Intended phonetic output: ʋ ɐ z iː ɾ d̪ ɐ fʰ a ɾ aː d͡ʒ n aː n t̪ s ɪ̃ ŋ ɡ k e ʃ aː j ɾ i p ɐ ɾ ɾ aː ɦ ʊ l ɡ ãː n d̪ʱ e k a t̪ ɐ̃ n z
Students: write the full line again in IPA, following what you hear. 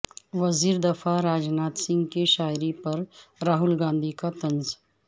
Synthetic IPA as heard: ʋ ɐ z iː ɾ d̪ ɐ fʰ a ɾ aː d͡ʒ n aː t̪ s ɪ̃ ŋ ɡ k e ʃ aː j ɾ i p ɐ ɾ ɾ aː ɦ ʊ l ɡ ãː n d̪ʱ i k a t̪ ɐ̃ n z

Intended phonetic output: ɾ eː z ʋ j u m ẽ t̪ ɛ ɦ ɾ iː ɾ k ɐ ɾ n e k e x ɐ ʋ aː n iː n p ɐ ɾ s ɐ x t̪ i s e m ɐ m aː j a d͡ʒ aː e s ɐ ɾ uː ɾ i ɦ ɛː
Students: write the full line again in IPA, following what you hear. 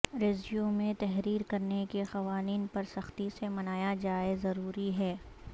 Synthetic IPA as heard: ɾ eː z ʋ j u m ẽ t̪ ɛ ɦ ɾ iː ɾ k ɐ ɾ n e k e x ɐ ʋ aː n iː n p ɐ ɾ s ɐ x t̪ i s e m ɐ n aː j a d͡ʒ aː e z ɐ ɾ uː ɾ i ɦ ɛː

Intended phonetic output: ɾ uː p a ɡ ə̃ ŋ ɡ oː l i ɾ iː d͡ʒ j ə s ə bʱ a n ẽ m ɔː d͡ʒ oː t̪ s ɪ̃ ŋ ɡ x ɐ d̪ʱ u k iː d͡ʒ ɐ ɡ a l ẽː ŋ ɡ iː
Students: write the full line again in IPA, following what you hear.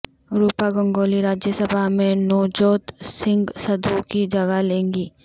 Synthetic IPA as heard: ɾ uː p a ɡ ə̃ ŋ ɡ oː l i ɾ aː d͡ʒ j ə s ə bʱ a m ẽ n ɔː d͡ʒ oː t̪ s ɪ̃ ŋ ɡ s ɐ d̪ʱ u k i d͡ʒ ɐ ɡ a l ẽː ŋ ɡ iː

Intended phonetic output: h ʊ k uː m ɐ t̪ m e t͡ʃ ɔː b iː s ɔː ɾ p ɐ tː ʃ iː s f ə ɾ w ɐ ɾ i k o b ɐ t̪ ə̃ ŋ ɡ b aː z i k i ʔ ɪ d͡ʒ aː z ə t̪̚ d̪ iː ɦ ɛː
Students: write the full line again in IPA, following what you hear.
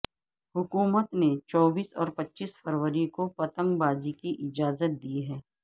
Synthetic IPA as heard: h ʊ k uː m ə t̪ n e t͡ʃ ɔː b iː s ɔː ɾ p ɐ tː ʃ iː s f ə ɾ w ə ɾ i k o p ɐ t̪ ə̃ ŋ ɡ b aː z i k i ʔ ɪ d͡ʒ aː z ə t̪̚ d̪ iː ɦ ɛː

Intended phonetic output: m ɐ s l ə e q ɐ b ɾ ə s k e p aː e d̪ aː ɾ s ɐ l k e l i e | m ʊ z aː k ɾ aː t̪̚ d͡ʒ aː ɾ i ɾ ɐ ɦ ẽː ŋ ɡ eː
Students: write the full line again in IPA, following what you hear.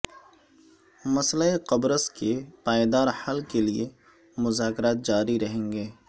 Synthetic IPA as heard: m ɐ s l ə e q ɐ b ɾ ə s k e p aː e d̪ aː ɾ h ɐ l k e l i e | m ʊ z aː k ɾ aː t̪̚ d͡ʒ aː ɾ i ɾ ɐ ɦ ẽː ŋ ɡ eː

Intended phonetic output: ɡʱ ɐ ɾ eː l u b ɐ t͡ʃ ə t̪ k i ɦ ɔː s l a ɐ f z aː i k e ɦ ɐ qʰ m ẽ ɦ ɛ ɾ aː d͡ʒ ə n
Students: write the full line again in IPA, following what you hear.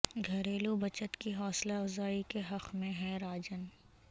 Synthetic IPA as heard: ɡʱ ɐ ɾ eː l u b ɐ t͡ʃ ə t̪ k i ɦ ɔː s l a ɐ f z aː i k e ɦ ɐ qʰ m ẽ ɦ ɛ ɾ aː d͡ʒ ə n

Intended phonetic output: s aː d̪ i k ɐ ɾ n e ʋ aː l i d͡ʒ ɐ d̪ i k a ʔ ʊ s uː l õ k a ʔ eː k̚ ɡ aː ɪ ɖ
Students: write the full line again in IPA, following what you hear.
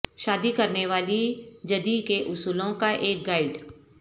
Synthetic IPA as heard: ʃ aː d̪ i k ɐ ɾ n e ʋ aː l i d͡ʒ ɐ d̪ i k e ʔ ʊ s uː l õ k a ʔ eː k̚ ɡ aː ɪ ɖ

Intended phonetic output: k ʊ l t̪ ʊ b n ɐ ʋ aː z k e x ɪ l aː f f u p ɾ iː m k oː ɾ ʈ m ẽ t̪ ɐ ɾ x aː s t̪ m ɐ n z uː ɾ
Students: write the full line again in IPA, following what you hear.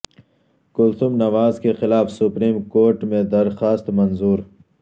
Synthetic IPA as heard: k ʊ l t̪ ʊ m n ɐ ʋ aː z k e x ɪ l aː f s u p ɾ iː m k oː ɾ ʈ m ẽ d̪ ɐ ɾ x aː s t̪ m ɐ n z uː ɾ

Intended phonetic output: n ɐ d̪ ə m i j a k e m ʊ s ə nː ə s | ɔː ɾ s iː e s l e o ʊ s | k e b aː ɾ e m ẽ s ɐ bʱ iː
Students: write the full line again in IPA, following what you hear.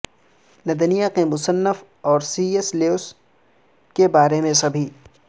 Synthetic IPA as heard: n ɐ d̪ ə n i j a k e m ʊ s ə nː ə f | ɔː ɾ s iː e s l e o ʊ s | k e b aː ɾ e m ẽ s ɐ bʱ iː

